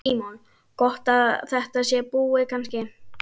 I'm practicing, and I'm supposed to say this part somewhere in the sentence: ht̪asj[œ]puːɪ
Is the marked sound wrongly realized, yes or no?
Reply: yes